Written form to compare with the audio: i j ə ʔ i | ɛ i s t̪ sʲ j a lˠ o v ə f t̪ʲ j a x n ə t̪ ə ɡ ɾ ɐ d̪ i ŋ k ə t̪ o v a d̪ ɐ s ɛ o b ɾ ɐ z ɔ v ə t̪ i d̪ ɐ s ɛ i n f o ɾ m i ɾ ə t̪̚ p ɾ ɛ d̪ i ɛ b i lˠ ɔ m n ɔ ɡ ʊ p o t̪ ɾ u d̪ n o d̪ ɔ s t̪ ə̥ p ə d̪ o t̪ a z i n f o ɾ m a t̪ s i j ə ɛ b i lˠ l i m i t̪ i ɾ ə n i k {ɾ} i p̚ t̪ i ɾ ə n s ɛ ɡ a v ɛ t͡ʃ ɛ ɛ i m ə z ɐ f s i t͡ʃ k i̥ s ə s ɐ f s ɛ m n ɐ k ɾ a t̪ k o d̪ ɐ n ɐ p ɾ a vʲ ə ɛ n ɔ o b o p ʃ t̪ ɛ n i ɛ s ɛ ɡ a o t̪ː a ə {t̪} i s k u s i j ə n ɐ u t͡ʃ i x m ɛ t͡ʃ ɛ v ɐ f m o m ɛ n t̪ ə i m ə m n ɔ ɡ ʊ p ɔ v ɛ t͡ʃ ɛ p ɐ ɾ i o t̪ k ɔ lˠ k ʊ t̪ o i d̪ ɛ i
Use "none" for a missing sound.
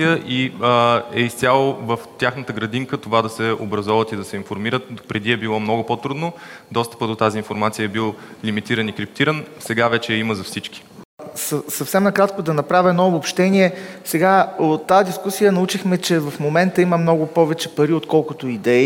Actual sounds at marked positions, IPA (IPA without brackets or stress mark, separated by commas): ɾ, d̪